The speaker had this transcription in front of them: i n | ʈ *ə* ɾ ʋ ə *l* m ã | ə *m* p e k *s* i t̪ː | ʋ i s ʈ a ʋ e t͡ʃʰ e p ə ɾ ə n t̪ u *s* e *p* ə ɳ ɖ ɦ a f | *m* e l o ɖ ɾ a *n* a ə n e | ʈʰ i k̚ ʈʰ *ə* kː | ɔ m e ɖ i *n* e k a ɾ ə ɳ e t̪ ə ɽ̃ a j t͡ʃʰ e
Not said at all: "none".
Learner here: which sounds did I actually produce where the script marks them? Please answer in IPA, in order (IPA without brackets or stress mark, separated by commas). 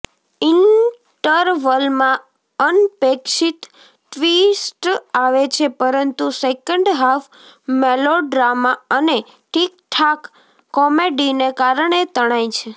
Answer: ə, l, n, ʃ, s, k, m, m, a, n